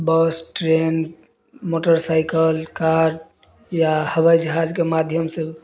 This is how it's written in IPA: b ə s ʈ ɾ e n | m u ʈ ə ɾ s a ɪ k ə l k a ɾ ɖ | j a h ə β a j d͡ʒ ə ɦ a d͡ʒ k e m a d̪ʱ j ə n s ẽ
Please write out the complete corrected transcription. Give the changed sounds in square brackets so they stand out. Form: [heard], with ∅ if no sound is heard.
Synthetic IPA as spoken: b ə s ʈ ɾ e n | m [o] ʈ ə ɾ s a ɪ k ə l k a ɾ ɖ | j a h ə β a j d͡ʒ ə ɦ a d͡ʒ k e m a d̪ʱ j ə [m] s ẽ